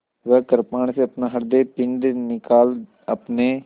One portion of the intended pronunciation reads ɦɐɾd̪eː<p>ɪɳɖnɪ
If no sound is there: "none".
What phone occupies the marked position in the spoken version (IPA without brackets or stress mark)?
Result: p